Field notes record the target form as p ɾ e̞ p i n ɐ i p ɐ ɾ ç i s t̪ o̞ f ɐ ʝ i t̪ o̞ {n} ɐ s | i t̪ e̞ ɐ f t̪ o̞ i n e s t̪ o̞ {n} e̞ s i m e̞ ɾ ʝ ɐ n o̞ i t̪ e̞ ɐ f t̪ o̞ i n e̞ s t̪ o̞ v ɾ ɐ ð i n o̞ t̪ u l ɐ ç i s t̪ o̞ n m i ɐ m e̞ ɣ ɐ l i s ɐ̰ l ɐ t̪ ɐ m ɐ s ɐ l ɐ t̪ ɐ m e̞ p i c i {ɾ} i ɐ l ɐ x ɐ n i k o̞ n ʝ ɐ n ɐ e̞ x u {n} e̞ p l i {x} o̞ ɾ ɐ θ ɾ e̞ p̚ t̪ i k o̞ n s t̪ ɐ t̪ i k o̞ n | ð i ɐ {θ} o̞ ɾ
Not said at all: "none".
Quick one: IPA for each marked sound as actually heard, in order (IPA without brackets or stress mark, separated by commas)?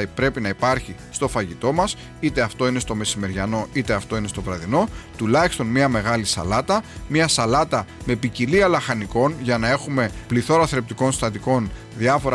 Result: m, m, l, m, θ, f